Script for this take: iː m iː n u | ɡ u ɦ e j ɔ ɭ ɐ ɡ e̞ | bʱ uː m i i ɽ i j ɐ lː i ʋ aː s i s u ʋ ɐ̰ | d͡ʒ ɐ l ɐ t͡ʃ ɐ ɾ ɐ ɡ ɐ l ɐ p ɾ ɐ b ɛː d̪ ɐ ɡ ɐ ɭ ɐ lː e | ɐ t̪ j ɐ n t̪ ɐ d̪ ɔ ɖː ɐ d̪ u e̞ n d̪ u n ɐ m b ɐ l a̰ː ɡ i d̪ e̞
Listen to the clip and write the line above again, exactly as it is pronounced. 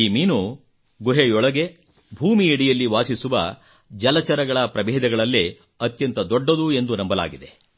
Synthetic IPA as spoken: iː m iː n u | ɡ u ɦ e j ɔ ɭ ɐ ɡ e̞ | bʱ uː m i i ɽ i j ɐ lː i ʋ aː s i s u ʋ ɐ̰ | d͡ʒ ɐ l ɐ t͡ʃ ɐ ɾ ɐ ɡ ɐ ɭ ɐ p ɾ ɐ b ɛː d̪ ɐ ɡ ɐ ɭ ɐ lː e | ɐ t̪ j ɐ n t̪ ɐ d̪ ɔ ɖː ɐ d̪ u e̞ n d̪ u n ɐ m b ɐ l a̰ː ɡ i d̪ e̞